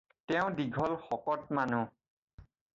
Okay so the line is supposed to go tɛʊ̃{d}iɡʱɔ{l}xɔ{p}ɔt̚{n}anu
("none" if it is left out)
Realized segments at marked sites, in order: d, l, k, m

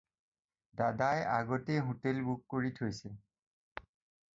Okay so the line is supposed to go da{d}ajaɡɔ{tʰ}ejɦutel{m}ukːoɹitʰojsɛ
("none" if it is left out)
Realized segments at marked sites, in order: d, t, b

